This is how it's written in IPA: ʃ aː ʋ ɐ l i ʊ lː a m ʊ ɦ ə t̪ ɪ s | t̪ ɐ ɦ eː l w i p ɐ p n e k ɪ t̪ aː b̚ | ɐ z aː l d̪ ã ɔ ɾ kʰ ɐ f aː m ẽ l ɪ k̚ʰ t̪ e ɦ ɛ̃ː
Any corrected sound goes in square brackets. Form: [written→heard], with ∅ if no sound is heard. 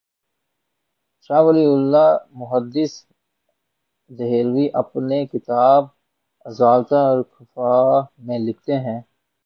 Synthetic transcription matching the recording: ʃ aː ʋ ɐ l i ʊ lː a m ʊ ɦ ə [t̪→d̪] ɪ s | [t̪→d̪] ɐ ɦ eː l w i [p→ʔ] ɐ p n e k ɪ t̪ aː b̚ | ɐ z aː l [d̪→t̪] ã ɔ ɾ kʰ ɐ f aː m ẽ l ɪ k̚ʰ t̪ e ɦ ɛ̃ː